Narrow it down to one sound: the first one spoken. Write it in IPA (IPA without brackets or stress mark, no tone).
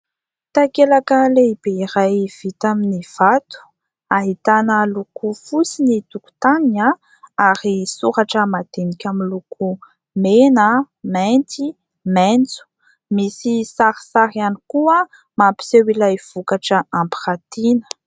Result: t̪